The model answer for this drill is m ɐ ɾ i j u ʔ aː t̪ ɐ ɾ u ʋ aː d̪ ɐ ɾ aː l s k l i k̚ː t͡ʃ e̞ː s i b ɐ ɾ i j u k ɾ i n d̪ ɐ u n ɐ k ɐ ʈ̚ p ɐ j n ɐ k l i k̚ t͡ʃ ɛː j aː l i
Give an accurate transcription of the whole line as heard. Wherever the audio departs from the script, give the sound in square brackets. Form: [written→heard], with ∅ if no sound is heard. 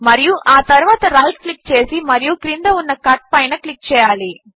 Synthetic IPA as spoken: m ɐ ɾ i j u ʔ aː t̪ ɐ ɾ u ʋ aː [d̪→t̪] ɐ ɾ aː l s k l i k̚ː t͡ʃ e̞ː s i [b→m] ɐ ɾ i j u k ɾ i n d̪ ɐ u [n→nː] ɐ k ɐ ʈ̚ p ɐ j n ɐ k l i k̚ t͡ʃ ɛː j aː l i